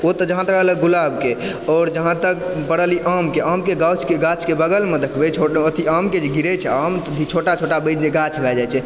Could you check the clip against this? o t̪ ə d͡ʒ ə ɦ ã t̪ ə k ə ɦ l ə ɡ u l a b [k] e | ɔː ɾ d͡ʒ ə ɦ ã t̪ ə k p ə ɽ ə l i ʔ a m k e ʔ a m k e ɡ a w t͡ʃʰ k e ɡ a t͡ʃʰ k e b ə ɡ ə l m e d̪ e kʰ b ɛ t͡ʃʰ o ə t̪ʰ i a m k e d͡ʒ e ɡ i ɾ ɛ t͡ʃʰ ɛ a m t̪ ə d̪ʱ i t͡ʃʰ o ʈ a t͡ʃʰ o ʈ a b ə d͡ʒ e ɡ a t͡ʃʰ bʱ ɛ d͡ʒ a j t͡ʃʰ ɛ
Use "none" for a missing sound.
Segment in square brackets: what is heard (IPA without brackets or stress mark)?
k